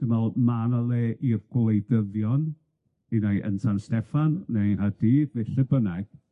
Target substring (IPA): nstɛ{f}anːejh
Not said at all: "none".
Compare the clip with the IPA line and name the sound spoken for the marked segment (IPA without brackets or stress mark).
f